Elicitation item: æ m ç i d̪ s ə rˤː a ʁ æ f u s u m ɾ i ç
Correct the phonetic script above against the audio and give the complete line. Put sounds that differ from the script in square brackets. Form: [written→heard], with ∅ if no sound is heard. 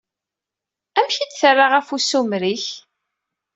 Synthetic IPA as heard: æ m ç i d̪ [s→θ] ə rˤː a ʁ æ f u s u m ɾ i ç

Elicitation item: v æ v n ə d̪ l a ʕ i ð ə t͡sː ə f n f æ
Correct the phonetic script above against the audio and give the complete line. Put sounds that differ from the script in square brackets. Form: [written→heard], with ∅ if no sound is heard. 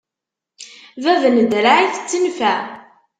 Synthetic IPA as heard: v æ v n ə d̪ [l→ɾ] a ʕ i [ð→θ] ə t͡sː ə [f→∅] n f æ

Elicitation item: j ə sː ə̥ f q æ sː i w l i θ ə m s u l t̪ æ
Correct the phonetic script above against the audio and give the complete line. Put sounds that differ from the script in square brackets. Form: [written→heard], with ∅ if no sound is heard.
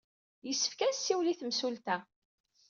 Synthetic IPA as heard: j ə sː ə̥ f [q→k] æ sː i w l i θ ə m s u l t̪ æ

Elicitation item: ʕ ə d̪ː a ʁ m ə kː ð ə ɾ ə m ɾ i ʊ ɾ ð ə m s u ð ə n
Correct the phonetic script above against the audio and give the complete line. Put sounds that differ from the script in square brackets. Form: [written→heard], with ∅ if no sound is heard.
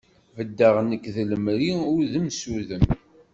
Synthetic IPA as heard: [ʕ→v] ə d̪ː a ʁ [m→n] ə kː ð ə [ɾ→l] ə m ɾ i ʊ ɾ ð ə m s u ð ə [n→m]

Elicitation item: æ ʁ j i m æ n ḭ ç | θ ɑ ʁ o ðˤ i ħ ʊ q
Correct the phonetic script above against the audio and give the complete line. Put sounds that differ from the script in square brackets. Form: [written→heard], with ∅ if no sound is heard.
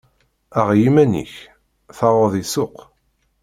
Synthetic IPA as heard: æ ʁ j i m æ n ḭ ç | θ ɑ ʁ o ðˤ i [ħ→s] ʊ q

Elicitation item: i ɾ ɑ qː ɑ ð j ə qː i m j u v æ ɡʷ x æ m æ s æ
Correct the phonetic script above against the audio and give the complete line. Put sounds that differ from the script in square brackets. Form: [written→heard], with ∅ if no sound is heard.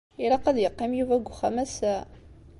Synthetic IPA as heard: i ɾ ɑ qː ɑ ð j ə qː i m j u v æ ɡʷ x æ m æ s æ

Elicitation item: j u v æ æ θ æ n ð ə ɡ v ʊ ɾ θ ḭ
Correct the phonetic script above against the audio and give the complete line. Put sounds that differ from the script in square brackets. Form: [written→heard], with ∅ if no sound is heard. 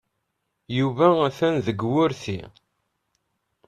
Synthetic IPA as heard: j u v æ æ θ æ n ð ə ɡ [v→w] ʊ ɾ θ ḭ

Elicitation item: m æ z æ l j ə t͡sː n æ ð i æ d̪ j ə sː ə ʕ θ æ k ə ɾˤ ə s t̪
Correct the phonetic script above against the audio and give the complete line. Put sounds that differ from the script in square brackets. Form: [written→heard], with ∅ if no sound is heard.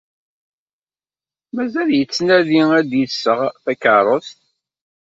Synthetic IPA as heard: m æ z æ l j ə t͡sː n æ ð i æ d̪ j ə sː ə [ʕ→ʁ] θ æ k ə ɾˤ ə s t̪

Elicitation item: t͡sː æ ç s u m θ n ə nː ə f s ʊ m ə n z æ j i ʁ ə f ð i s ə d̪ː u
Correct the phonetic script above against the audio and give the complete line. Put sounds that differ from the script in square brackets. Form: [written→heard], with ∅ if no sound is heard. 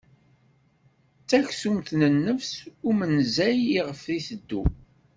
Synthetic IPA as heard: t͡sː æ ç s u m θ n ə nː ə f s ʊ m ə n z æ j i ʁ ə f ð i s ə d̪ː u

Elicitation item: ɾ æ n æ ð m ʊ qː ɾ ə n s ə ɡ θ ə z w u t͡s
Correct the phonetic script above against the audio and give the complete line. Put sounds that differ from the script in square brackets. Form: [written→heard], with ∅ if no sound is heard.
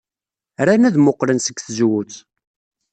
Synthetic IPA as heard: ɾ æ n æ ð m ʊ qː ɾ ə n s ə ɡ θ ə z w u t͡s

